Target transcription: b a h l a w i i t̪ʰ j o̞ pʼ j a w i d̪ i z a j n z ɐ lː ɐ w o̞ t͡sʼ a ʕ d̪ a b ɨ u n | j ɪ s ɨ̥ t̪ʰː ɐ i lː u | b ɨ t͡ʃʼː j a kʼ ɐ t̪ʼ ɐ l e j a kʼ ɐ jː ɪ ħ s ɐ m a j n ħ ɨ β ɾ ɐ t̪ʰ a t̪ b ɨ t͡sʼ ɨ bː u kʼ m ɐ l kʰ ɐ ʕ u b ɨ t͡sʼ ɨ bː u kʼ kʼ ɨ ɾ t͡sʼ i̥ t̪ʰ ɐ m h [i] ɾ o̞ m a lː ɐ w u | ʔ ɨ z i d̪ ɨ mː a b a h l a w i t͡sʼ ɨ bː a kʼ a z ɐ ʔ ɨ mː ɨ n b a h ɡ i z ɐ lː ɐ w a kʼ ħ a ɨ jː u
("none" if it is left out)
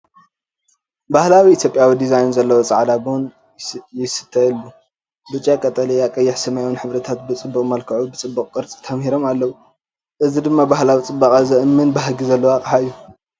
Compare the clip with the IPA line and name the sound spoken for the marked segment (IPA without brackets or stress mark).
i